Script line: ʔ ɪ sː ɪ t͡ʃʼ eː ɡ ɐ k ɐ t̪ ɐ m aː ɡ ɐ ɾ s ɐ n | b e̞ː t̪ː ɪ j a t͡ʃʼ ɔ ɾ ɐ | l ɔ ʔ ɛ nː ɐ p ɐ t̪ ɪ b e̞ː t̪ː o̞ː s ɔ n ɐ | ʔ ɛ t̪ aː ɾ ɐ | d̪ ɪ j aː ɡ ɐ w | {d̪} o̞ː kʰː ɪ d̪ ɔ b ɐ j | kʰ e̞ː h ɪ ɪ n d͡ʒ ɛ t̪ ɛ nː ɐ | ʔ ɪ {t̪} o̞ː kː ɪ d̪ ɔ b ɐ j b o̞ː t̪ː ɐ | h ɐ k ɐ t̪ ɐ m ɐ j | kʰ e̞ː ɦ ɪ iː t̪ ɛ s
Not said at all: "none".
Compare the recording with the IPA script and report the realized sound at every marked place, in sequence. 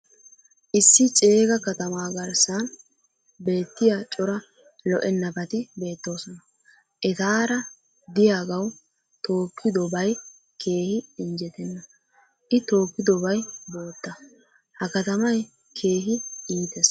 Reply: t̪, t̪

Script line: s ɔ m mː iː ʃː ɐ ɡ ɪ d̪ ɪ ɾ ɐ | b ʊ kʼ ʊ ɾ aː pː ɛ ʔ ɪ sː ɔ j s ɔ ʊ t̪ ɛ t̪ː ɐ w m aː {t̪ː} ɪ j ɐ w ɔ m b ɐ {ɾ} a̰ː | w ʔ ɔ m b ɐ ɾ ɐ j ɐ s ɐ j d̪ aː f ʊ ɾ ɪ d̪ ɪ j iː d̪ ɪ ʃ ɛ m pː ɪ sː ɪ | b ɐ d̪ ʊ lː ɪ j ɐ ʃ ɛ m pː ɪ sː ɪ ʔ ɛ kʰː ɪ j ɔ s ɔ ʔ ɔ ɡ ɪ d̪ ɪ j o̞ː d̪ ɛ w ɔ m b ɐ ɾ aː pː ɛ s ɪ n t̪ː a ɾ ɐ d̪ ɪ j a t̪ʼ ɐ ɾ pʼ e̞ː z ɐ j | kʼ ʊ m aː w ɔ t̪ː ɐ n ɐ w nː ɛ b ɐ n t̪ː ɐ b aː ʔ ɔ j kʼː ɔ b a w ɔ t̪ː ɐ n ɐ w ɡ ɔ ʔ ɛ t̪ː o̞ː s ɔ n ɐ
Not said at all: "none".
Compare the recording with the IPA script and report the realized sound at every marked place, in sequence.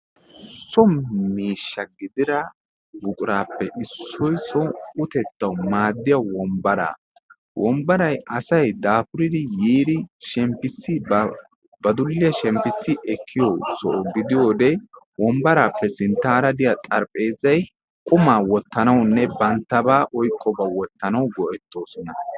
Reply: d̪ː, ɾ

